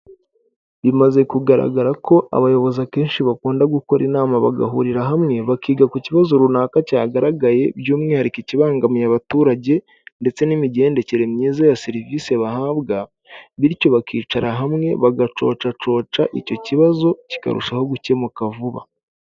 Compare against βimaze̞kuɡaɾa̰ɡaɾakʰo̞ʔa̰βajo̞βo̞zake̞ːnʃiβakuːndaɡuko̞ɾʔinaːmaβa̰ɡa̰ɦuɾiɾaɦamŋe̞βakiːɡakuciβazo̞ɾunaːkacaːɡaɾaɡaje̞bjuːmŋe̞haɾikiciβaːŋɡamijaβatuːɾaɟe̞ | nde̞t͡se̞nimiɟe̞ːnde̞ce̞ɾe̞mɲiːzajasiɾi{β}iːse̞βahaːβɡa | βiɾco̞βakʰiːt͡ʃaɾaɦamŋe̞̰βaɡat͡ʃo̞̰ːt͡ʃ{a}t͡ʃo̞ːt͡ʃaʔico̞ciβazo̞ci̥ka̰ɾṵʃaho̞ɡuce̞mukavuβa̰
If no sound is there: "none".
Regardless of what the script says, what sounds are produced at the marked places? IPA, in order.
v, a

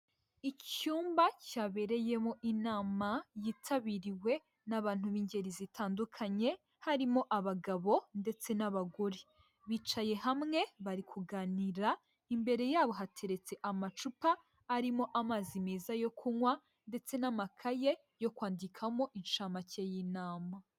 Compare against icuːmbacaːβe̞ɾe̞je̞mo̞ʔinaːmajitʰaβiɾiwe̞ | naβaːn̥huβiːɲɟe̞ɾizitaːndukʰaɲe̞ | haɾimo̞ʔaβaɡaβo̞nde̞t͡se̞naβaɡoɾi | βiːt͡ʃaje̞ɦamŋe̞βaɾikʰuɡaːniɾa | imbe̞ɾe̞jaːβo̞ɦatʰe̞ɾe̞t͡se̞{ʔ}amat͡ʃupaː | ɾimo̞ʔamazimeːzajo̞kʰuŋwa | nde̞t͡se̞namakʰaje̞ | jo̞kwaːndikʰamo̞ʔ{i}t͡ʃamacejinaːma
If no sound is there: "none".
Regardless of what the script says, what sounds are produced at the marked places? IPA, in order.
ʔ, i

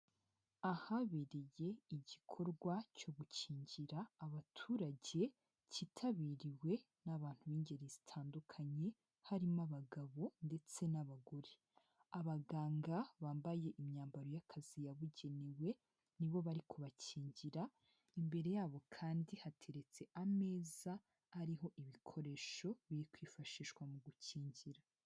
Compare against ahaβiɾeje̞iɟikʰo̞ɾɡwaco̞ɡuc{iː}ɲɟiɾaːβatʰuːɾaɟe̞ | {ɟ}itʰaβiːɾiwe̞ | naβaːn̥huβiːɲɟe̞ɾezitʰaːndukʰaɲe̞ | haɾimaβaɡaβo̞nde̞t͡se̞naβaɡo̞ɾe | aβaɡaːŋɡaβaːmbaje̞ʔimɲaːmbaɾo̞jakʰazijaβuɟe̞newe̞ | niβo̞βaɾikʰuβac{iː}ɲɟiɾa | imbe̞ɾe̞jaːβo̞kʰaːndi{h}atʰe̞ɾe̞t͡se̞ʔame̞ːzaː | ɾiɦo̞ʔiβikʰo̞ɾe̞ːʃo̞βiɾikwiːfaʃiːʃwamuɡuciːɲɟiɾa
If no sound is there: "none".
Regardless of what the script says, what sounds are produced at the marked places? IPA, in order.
iː, c, iː, h

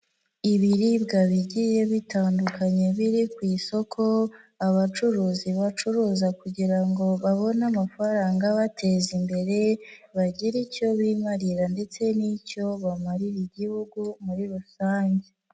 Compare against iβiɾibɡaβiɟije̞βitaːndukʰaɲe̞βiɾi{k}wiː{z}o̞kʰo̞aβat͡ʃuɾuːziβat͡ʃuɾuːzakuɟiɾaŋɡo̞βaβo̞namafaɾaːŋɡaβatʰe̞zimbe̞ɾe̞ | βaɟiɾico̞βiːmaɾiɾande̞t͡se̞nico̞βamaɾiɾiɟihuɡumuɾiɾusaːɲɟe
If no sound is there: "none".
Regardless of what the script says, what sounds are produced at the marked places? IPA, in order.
k, s

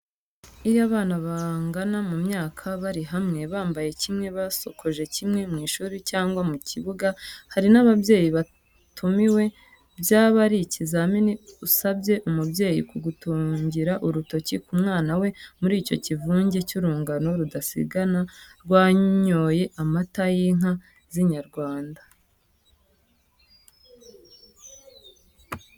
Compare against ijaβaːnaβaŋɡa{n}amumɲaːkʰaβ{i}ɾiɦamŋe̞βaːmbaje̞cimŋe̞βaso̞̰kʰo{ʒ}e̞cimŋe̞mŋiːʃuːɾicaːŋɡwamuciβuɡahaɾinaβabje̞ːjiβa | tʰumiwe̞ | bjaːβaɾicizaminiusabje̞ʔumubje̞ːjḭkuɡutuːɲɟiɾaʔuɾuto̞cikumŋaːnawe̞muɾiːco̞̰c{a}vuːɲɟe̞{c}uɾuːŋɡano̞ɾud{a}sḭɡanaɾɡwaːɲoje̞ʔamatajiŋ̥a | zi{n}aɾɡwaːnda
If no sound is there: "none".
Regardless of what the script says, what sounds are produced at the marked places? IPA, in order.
n, a, ʒ, i, c, a, ɲ

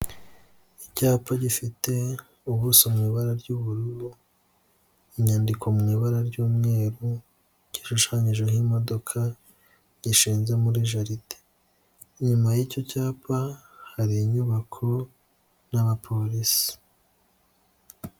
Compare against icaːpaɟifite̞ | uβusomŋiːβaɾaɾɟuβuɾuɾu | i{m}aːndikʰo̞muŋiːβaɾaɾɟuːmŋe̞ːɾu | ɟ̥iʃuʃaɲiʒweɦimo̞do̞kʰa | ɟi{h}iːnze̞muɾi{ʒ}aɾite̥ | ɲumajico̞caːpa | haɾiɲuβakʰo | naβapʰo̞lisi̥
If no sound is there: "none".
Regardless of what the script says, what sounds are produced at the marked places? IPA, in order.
ɲ, ʃ, ʒ

